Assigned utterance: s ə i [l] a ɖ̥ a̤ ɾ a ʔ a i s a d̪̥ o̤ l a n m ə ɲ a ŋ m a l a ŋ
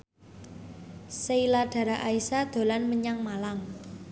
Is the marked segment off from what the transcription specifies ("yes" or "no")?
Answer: no